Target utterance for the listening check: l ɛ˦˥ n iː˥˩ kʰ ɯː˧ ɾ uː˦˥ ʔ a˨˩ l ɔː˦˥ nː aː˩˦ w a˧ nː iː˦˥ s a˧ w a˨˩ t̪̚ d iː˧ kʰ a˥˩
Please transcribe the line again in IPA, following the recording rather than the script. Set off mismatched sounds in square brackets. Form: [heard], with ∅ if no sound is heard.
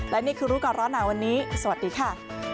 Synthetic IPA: l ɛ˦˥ n iː˥˩ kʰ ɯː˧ ɾ uː˦˥ [k] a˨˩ [ɾ] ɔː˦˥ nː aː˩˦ w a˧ nː iː˦˥ s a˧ w a˨˩ t̪̚ d iː˧ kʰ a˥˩